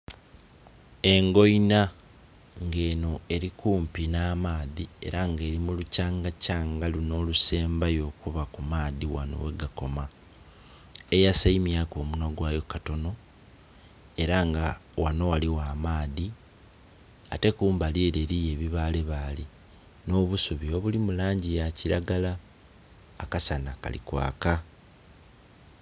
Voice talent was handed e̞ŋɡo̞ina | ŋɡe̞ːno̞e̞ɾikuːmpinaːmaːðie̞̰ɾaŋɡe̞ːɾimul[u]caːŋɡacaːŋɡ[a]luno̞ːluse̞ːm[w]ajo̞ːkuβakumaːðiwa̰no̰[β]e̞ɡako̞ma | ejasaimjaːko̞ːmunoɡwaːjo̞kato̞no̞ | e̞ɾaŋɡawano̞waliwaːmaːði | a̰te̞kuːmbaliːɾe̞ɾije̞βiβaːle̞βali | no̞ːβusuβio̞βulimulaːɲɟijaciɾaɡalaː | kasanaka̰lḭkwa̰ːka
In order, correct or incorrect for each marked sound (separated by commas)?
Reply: correct, correct, incorrect, incorrect